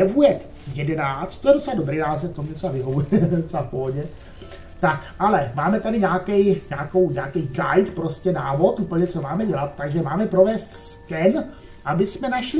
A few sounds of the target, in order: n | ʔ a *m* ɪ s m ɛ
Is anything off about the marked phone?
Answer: yes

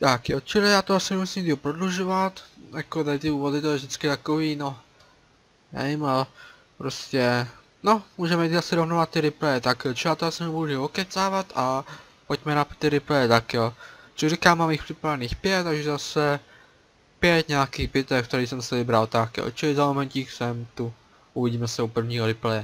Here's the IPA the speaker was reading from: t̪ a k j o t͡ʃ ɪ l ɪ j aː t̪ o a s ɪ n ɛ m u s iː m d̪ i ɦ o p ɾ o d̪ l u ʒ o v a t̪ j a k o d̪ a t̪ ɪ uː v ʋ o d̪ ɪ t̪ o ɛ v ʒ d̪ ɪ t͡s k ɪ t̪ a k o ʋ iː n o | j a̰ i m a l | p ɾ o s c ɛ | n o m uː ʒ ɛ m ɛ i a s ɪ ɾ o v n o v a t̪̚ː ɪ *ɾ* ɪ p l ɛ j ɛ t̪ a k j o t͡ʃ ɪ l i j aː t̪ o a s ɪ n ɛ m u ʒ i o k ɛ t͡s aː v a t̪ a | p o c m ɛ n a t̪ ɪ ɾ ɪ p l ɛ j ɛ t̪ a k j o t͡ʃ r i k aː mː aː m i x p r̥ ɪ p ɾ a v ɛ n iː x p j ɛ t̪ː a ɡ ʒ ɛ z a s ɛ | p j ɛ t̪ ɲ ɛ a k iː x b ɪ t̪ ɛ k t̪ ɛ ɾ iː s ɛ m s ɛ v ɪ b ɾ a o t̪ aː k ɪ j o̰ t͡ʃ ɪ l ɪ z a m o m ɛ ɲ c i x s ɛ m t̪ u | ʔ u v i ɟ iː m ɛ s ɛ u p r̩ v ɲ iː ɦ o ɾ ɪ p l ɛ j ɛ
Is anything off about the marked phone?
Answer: no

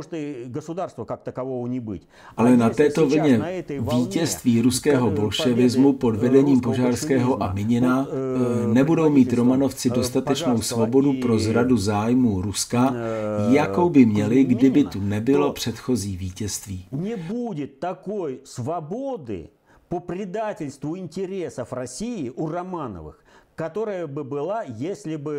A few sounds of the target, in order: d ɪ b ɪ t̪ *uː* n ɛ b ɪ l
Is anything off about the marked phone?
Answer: yes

